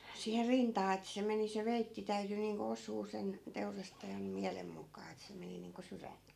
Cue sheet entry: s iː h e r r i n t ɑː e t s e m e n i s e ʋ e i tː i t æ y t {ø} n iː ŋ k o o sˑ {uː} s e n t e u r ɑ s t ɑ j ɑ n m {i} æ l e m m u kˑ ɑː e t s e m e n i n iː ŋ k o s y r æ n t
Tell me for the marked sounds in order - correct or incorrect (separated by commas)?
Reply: incorrect, correct, correct